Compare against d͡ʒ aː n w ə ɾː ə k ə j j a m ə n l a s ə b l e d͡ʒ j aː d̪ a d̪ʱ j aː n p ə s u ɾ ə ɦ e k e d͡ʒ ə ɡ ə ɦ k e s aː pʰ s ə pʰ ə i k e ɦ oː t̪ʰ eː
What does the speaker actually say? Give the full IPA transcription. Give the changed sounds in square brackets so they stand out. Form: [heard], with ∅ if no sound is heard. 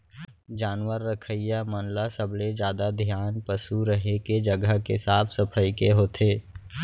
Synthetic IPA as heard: d͡ʒ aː n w ə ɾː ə [kʰ] ə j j a m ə n l a s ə b l e d͡ʒ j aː d̪ a d̪ʱ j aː n p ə s u ɾ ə ɦ e k e d͡ʒ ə ɡ ə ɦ k e s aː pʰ s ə pʰ ə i k e ɦ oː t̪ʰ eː